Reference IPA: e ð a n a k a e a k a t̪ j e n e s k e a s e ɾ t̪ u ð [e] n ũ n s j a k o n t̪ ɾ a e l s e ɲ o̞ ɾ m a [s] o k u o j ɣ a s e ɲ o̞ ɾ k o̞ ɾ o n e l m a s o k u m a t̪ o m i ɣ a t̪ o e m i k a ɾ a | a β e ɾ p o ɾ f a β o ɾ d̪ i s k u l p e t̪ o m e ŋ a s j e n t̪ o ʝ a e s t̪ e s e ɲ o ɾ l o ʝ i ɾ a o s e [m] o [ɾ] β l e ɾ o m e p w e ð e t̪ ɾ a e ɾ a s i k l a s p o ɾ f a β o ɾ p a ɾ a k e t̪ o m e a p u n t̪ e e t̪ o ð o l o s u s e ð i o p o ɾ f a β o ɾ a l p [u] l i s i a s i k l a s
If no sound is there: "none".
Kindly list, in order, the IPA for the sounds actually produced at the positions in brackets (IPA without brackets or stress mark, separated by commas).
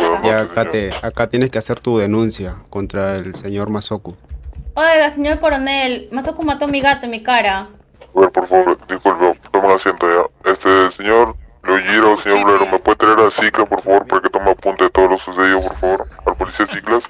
e, s, ɲ, ɾ, o